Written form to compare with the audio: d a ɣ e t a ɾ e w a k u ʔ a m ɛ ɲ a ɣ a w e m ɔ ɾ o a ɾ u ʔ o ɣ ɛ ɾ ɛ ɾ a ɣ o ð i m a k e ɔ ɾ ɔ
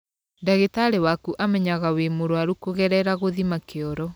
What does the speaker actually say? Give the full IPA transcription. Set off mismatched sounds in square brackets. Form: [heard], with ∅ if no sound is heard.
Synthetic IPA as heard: d a ɣ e t a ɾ e w a k u ʔ a m ɛ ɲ a ɣ a w e m [o] ɾ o a ɾ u [k] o ɣ ɛ ɾ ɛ ɾ a ɣ o ð i m a k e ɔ ɾ ɔ